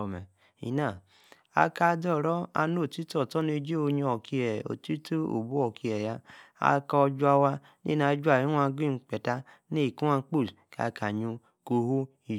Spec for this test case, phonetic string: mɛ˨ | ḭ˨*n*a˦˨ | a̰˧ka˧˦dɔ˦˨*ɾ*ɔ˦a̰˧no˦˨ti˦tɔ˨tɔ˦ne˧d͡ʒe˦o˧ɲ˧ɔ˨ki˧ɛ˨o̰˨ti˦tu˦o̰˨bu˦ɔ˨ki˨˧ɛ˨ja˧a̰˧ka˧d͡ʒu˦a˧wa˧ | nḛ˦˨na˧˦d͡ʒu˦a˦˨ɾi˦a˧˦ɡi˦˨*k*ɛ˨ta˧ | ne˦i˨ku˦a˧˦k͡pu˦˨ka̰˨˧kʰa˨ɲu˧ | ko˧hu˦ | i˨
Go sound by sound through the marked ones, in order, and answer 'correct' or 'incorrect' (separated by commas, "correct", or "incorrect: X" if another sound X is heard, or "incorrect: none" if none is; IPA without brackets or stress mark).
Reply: correct, correct, incorrect: k͡p